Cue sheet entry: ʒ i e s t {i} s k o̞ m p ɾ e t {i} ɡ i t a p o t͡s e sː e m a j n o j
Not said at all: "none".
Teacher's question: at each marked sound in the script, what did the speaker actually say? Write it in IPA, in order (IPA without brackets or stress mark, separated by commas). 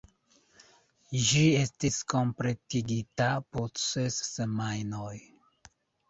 i, i